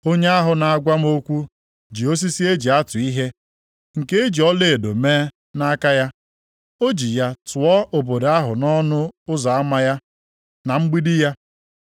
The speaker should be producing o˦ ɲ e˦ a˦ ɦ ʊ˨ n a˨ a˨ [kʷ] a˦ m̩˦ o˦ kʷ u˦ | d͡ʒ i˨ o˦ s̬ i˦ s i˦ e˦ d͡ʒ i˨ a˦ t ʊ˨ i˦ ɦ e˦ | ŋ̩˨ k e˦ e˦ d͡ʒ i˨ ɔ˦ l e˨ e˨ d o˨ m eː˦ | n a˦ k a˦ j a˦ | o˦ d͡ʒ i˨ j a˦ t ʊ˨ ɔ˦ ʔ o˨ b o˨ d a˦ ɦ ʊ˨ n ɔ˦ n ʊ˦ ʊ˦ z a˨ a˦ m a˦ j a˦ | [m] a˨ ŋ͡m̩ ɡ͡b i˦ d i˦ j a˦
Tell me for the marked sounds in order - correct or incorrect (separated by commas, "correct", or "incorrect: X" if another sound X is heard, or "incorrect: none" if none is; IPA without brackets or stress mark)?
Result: incorrect: ɡʷ, incorrect: n